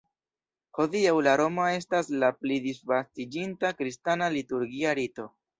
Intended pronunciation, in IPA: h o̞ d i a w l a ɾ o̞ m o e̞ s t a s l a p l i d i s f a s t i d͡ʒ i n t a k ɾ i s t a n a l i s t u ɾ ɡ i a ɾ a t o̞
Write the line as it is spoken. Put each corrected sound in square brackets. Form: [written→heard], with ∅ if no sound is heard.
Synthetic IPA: h o̞ d i a w l a ɾ o̞ m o e̞ s t a s l a p l i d i s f a s t i d͡ʒ i n t a k ɾ i s t a n a l i [s→∅] t u ɾ ɡ i a ɾ [a→i] t o̞